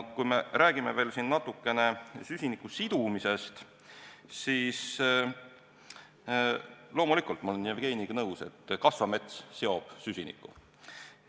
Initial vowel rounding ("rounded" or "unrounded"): rounded